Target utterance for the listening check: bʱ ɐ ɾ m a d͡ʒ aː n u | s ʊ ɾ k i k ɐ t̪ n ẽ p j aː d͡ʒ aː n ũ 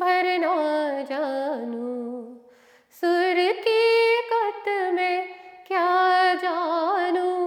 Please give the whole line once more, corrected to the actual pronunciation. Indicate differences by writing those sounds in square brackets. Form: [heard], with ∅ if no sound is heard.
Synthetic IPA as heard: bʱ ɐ ɾ [n] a d͡ʒ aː n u | s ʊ ɾ k i k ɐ t̪ [m] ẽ [k] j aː d͡ʒ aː n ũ